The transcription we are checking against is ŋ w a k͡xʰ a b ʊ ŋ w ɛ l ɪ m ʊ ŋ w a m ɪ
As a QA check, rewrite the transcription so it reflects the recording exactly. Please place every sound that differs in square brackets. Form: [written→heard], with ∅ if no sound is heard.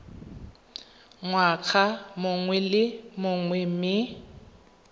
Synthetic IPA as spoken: ŋ w a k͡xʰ a [b→m] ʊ ŋ w ɛ l ɪ m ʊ ŋ w [a→ɛ] m ɪ

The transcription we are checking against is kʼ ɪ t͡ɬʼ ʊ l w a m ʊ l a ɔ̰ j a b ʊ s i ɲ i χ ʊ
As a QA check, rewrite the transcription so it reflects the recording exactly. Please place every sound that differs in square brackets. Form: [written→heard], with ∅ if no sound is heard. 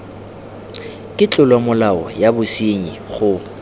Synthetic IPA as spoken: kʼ ɪ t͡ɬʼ ʊ l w a m ʊ l a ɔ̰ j a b ʊ s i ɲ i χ ʊ

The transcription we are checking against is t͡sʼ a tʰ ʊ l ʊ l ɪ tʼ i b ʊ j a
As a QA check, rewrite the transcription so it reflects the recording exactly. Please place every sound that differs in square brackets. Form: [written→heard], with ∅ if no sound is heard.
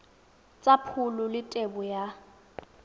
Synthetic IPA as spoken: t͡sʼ a [tʰ→pʰ] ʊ l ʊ l ɪ tʼ [i→e] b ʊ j a

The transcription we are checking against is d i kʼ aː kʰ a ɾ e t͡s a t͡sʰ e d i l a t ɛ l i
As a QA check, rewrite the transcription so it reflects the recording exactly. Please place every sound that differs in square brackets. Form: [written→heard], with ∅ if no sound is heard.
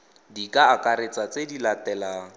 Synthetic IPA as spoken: d i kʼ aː [kʰ→k] a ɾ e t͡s a [t͡sʰ→t͡s] e d i l a t ɛ l [i→a]

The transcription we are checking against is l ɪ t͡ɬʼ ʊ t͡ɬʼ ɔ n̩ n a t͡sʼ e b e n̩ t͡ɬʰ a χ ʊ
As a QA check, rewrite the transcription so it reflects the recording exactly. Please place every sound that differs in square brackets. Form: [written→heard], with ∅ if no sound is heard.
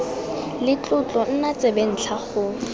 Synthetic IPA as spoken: l ɪ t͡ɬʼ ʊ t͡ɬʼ ɔ n̩ n a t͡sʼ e b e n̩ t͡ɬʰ a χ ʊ

